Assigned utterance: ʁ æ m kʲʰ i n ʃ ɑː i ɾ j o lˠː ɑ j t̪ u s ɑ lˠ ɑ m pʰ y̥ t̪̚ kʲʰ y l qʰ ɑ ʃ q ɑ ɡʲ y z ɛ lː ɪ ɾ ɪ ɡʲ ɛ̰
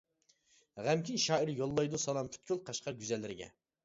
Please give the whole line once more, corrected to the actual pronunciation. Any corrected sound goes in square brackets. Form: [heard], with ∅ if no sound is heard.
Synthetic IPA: ʁ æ m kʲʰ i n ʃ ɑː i ɾ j o lˠː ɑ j [d̪] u s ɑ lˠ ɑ m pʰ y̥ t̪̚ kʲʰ y l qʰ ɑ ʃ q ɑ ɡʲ y z ɛ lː ɪ ɾ ɪ ɡʲ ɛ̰